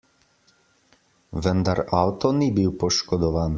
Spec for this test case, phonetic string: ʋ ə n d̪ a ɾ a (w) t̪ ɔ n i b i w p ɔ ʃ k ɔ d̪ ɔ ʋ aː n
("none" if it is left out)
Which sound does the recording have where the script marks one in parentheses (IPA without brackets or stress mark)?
w